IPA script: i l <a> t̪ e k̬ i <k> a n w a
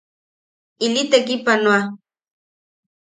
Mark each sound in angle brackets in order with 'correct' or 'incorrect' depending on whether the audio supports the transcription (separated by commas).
incorrect, incorrect